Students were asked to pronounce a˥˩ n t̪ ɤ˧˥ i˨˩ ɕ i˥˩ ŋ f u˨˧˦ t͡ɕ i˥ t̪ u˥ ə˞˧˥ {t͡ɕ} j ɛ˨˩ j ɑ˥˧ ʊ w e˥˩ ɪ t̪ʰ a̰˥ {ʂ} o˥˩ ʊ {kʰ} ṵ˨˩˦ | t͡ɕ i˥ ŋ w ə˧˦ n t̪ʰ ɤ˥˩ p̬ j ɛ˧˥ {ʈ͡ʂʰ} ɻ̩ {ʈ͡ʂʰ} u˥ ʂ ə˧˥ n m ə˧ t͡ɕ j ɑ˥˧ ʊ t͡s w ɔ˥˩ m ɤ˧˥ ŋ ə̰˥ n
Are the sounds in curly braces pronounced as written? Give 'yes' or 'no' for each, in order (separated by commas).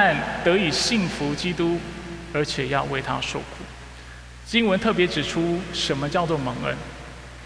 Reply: no, yes, yes, no, yes